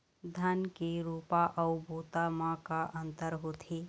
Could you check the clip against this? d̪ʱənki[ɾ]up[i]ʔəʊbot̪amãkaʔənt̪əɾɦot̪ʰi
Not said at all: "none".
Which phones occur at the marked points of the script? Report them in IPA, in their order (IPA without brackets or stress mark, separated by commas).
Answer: ɾ, a